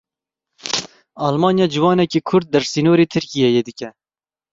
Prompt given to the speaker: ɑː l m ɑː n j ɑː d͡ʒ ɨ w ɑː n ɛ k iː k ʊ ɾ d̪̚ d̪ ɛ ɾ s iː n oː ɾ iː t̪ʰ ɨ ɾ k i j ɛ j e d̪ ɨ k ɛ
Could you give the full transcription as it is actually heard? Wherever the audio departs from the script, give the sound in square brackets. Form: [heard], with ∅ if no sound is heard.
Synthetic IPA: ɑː l m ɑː n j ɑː d͡ʒ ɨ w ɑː n ɛ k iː [kʰ] ʊ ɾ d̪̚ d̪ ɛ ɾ s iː n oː ɾ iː t̪ʰ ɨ ɾ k i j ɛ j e d̪ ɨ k ɛ